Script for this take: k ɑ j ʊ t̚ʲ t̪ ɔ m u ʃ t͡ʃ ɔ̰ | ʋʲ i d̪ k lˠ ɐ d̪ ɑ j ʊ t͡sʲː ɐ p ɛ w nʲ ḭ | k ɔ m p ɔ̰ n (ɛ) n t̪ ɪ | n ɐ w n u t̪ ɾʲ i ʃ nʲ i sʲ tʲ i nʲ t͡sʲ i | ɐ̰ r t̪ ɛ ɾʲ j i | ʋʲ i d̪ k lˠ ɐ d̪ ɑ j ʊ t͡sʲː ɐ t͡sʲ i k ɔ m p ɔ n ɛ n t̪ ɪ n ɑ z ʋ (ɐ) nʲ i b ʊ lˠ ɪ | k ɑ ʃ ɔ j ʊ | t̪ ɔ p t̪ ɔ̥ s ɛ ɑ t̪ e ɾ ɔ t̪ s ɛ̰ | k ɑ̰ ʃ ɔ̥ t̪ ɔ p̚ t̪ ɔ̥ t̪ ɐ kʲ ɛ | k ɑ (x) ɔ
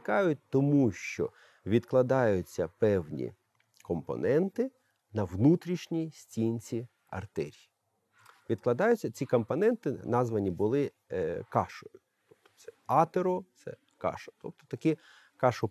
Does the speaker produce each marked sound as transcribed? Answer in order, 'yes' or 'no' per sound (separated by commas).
yes, yes, no